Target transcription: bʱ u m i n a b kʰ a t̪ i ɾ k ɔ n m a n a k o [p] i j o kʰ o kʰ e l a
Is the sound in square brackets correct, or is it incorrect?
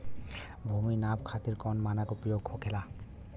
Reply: correct